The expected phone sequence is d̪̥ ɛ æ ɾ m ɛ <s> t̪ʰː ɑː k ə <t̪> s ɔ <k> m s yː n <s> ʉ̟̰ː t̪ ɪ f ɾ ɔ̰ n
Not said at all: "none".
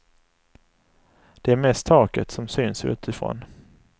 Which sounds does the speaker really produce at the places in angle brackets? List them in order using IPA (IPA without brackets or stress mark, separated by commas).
s, t̪, none, s